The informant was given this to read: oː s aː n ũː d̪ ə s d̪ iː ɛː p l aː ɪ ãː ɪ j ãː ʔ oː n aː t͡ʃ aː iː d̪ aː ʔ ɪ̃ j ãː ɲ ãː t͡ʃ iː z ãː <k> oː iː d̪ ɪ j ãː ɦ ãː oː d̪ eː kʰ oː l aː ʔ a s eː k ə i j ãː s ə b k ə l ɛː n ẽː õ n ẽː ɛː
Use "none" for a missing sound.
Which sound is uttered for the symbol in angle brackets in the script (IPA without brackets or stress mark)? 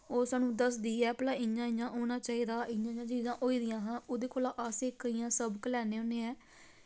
ʔ